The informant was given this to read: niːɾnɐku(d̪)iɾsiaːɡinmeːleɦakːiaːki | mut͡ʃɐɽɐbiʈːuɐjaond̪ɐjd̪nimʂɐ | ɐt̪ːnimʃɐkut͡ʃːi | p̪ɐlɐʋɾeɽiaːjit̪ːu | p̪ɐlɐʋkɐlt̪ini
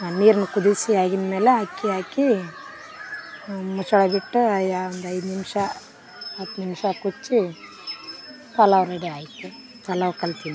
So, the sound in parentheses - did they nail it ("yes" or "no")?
yes